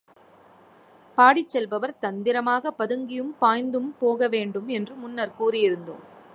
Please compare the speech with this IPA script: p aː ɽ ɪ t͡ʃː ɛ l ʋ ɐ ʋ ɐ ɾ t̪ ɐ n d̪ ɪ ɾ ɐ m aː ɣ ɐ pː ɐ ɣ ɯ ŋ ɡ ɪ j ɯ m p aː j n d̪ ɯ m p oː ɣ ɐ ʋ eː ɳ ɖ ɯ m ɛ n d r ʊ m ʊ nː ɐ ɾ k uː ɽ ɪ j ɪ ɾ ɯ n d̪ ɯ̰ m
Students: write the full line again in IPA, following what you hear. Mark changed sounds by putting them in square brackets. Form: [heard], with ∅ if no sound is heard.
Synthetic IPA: p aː ɽ ɪ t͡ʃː ɛ l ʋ ɐ ʋ ɐ ɾ t̪ ɐ n d̪ ɪ ɾ ɐ m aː ɣ ɐ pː ɐ [ð] ɯ ŋ ɡ ɪ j ɯ m p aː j n d̪ ɯ m p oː ɣ ɐ ʋ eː ɳ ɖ ɯ m ɛ n d r [ɯ] m ʊ nː ɐ ɾ k uː [r] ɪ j ɪ ɾ ɯ n d̪ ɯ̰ m